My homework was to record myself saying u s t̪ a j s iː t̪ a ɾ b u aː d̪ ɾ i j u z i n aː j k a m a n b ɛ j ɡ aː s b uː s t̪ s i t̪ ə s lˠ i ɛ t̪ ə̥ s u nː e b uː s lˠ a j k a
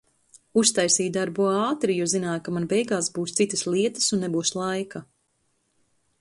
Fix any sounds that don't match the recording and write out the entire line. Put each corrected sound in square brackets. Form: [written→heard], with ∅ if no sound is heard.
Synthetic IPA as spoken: u s t̪ a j s iː [t̪→d̪] a ɾ b u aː [d̪→t̪] ɾ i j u z i n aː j k a m a n b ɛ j ɡ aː s b uː s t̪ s i t̪ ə s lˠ i ɛ t̪ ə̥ s u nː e b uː s lˠ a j k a

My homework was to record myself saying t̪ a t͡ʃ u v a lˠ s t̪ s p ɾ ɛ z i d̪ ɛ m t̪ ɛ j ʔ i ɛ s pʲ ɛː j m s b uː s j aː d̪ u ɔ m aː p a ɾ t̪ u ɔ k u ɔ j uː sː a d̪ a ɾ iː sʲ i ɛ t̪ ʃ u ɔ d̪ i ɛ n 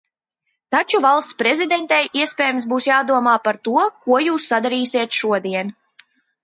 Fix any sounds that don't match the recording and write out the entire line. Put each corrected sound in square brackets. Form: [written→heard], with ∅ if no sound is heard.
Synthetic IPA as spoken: t̪ a t͡ʃ u v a lˠ s t̪ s p ɾ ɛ z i d̪ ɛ [m→n] t̪ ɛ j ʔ i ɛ s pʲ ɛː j m s b uː s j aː d̪ u ɔ m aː p a ɾ t̪ u ɔ k u ɔ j uː sː a d̪ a ɾ iː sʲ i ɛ t̪ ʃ u ɔ d̪ i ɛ n

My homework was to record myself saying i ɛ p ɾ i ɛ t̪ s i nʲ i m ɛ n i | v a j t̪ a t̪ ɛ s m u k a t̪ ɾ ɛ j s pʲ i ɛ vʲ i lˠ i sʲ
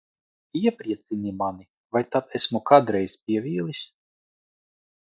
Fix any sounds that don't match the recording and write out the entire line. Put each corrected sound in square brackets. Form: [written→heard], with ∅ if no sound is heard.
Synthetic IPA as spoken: i ɛ p ɾ i ɛ t̪ s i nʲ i m [ɛ→a] n i | v a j t̪ a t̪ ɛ s m u k a [t̪→d̪] ɾ ɛ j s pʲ i ɛ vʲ [i→iː] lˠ i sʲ

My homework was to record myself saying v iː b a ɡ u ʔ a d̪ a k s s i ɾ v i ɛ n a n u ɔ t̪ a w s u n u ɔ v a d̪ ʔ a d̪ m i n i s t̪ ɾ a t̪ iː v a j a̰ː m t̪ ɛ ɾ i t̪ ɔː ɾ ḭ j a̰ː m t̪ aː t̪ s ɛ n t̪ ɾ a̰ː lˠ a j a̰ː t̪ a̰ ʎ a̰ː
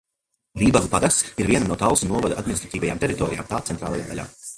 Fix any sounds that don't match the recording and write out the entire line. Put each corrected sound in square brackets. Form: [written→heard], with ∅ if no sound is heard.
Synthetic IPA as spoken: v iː b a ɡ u [ʔ→p] a d̪ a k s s i ɾ v i ɛ n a n u ɔ t̪ a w s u n u ɔ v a d̪ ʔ a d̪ m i n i s t̪ ɾ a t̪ iː v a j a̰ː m t̪ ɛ ɾ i t̪ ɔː ɾ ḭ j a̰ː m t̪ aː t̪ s ɛ n t̪ ɾ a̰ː lˠ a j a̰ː [t̪→d̪] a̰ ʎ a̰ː

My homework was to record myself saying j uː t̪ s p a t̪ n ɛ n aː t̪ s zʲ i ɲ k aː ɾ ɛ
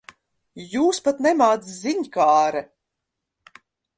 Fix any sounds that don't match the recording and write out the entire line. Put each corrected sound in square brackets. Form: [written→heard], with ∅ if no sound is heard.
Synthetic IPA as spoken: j uː [t̪→∅] s p a t̪ n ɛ [n→m] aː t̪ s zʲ i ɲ k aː ɾ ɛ

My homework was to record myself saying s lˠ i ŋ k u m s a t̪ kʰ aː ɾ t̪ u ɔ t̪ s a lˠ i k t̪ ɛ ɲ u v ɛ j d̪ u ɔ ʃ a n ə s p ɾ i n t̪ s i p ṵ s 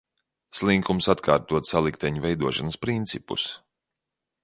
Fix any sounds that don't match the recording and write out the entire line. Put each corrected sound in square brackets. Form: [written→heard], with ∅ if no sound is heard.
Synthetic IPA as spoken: s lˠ i ŋ k u m s a t̪ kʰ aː ɾ t̪ u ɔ t̪ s a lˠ i k t̪ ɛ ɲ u v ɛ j d̪ u ɔ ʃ a n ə s p ɾ i n t̪ s i p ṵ s

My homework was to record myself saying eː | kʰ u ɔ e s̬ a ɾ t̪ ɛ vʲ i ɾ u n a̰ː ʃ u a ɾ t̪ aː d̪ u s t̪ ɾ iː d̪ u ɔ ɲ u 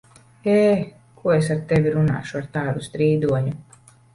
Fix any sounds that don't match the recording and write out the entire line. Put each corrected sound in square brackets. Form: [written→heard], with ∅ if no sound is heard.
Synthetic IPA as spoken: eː | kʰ u ɔ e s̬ a ɾ t̪ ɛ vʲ i ɾ u n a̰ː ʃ u a ɾ t̪ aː d̪ u s t̪ ɾ iː d̪ u ɔ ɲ u

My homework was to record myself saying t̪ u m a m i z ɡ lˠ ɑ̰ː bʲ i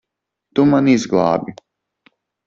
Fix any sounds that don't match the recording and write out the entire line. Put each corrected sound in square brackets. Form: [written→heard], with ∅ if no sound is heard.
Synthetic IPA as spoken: t̪ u m a [m→n] i z ɡ lˠ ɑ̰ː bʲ i

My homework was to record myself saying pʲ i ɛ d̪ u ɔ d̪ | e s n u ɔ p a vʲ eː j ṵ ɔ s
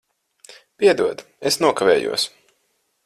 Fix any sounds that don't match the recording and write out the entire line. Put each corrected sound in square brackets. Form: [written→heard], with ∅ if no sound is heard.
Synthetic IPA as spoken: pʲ i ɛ d̪ u ɔ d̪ | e s n u ɔ [p→k] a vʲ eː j ṵ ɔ s

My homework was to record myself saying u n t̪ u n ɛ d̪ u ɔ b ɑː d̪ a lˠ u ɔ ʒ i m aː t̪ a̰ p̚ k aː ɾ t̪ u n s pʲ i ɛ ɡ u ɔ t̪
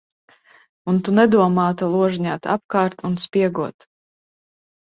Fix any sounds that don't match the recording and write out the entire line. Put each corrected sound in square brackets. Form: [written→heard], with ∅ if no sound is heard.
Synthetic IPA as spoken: u n t̪ u n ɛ d̪ u ɔ [b→m] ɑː [d̪→t̪] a lˠ u ɔ ʒ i [m→ɲ] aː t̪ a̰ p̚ k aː ɾ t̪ u n s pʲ i ɛ ɡ u ɔ t̪

